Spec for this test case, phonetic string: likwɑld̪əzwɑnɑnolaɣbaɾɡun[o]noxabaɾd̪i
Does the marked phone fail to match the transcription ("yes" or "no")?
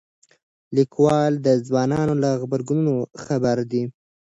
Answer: yes